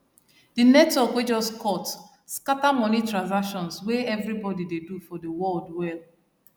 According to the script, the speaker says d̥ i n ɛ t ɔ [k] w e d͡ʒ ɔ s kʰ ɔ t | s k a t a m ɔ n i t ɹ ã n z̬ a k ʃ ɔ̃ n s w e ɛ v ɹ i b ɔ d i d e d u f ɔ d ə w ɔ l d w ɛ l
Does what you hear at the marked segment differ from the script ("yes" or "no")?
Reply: no